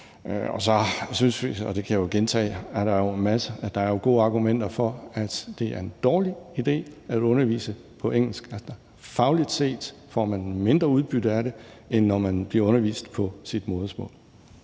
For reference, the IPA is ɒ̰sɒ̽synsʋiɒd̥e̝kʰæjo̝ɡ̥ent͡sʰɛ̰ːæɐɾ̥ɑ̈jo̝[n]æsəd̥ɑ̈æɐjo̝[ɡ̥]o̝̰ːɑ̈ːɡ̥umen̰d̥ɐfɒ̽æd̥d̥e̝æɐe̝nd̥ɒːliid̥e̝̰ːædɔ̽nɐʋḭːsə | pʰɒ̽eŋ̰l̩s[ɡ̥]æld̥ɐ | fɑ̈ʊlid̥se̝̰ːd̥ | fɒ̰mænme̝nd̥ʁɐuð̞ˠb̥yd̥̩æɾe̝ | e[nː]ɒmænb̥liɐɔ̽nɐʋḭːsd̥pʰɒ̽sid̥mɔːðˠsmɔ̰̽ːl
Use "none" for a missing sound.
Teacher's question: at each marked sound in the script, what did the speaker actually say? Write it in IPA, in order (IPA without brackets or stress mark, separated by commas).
m, ɡ̥, ɡ̥, nː